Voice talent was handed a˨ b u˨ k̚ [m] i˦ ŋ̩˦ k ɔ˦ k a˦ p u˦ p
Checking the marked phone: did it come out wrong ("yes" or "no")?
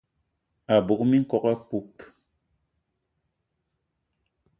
no